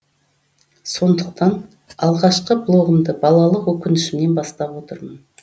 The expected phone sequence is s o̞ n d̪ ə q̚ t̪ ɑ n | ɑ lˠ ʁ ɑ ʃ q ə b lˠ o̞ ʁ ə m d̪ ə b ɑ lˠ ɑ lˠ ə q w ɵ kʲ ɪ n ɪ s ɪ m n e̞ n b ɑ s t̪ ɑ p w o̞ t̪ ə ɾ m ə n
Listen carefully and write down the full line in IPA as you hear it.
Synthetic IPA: s o̞ n d̪ ə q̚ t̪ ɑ n | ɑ lˠ ʁ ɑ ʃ q ə b lˠ o̞ ʁ ə m d̪ ə b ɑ lˠ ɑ lˠ ə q w ɵ kʲ ɪ n ɪ ʃ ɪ m n e̞ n b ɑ s t̪ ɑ p w o̞ t̪ ə ɾ m ə n